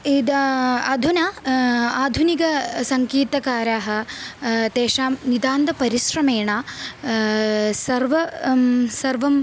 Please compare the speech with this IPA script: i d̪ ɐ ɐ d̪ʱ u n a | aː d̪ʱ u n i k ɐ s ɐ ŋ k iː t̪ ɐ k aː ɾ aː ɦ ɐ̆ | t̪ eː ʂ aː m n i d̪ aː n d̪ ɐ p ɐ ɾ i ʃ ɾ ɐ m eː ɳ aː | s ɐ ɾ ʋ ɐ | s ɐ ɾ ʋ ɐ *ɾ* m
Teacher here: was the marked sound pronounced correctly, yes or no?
no